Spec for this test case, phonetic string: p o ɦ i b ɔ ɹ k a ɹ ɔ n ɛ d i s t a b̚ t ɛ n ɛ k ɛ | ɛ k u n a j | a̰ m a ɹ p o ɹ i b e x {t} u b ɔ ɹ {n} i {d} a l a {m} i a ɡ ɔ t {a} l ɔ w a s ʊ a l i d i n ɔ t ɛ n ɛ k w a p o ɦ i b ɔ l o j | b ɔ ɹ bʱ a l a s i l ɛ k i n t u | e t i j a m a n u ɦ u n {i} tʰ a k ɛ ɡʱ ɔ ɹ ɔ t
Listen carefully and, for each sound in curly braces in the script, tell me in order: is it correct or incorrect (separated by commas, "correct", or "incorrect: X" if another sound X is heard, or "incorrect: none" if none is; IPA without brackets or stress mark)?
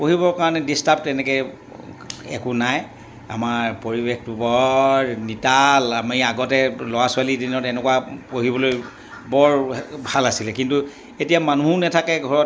correct, correct, incorrect: t, correct, incorrect: ɛ, incorrect: ɛ